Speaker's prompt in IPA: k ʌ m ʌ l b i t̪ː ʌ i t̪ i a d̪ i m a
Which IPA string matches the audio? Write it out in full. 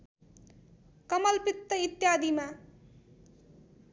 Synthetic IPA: k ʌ m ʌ l p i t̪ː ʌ i t̪ j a d̪ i m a